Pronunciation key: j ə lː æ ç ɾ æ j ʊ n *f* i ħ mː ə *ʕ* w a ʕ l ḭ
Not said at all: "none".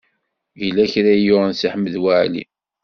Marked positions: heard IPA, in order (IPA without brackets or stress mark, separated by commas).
s, ð